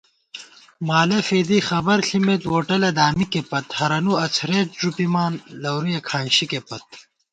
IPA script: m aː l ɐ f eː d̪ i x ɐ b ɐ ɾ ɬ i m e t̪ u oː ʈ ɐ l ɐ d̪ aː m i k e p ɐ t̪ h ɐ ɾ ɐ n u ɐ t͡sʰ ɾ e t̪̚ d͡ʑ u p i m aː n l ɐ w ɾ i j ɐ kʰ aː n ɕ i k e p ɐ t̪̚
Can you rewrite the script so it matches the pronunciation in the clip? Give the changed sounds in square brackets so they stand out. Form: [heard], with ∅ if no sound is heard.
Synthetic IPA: m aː l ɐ f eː d̪ i x ɐ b ɐ ɾ ɬ i m e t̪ [w] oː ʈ ɐ l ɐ d̪ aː m i k e p ɐ t̪ h ɐ ɾ ɐ n u ɐ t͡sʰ ɾ e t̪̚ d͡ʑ u p i m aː n l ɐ w ɾ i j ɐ kʰ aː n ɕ i k e p ɐ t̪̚